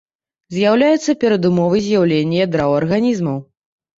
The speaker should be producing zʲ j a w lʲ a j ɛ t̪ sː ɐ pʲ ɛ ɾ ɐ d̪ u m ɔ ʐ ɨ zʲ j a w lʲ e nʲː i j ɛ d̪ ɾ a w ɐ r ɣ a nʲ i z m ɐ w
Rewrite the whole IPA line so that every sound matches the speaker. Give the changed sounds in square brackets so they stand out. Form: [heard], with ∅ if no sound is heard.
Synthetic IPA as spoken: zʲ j a w lʲ a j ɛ t̪ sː ɐ pʲ ɛ ɾ ɐ d̪ u m ɔ [v] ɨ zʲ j a w lʲ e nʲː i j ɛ d̪ ɾ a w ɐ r ɣ a nʲ i z m ɐ w